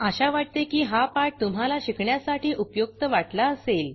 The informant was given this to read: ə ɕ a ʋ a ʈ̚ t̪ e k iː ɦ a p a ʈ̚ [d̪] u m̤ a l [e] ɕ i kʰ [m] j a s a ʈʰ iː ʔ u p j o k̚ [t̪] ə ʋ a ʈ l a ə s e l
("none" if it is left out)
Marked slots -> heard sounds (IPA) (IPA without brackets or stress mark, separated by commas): t̪, a, ɳ, t̪